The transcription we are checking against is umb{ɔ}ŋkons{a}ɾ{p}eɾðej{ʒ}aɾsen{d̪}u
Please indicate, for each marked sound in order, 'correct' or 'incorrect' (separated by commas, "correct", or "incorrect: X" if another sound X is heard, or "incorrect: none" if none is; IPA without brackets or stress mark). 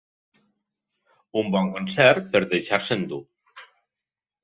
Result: correct, incorrect: ɛ, correct, incorrect: ʃ, correct